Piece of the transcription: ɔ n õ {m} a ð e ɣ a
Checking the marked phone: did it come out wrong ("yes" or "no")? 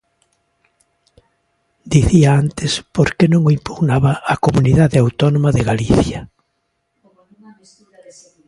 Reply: no